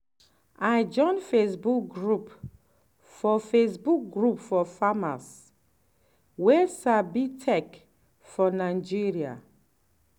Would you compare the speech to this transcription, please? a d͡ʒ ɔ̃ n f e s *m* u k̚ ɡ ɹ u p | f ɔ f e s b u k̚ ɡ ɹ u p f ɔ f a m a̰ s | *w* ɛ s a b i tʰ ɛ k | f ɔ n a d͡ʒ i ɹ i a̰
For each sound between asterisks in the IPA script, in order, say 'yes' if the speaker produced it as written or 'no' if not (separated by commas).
no, yes